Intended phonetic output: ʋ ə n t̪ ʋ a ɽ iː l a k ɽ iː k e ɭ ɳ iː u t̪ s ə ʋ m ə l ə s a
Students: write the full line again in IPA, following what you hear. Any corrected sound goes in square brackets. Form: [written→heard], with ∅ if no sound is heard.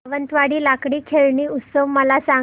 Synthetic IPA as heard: ʋ ə n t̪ ʋ a ɽ iː l a k ɽ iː [k→kʰ] e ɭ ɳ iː u t̪ s ə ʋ m ə l [ə→a] s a